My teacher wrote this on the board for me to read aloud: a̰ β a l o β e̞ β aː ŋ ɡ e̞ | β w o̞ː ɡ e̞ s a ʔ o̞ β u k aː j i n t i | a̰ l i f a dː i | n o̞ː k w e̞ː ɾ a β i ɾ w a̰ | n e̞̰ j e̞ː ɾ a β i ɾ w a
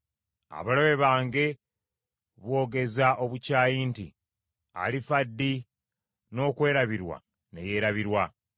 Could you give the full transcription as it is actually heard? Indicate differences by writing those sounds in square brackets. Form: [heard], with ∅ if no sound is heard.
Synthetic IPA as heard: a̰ β a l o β e̞ β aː ŋ ɡ e̞ | β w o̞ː ɡ e̞ [z] a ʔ o̞ β u [c] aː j i n t i | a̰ l i f a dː i | n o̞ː k w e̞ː ɾ a β i ɾ w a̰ | n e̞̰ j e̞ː ɾ a β i ɾ w a